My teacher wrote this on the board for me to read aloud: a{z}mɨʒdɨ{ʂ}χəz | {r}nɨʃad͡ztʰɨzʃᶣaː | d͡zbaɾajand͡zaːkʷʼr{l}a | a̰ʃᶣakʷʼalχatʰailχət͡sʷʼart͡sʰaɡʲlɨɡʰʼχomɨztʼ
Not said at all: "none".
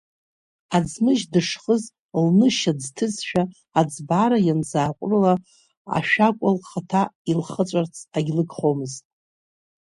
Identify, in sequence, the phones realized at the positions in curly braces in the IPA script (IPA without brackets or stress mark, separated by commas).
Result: d͡z, ʂ, l, l